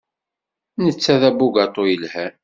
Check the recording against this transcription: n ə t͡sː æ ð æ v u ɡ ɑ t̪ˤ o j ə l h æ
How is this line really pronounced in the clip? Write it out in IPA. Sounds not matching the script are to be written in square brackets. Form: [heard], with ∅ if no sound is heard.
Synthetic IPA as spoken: n ə t͡sː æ ð æ [b] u ɡ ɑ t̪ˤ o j ə l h æ